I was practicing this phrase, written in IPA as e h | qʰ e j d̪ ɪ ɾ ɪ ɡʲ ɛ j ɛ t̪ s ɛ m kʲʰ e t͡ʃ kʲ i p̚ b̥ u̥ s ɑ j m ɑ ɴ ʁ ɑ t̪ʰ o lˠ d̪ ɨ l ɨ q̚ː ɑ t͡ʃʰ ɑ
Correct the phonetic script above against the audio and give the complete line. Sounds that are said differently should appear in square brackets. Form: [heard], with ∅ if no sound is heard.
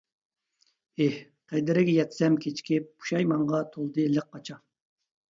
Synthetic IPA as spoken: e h | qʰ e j d̪ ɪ ɾ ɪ ɡʲ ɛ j ɛ t̪ s ɛ m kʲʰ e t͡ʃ kʲ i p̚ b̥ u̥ [ʃ] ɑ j m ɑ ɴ ʁ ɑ t̪ʰ o lˠ d̪ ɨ l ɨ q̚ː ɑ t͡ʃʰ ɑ